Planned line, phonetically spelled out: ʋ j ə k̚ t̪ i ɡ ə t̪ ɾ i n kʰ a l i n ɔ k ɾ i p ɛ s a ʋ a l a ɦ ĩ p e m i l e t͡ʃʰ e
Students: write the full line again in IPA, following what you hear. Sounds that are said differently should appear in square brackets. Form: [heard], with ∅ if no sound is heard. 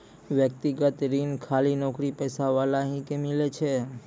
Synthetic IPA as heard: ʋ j ə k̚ t̪ i ɡ ə t̪ ɾ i n kʰ a l i n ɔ k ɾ i p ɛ s a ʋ a l a ɦ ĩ [k] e m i l e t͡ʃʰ e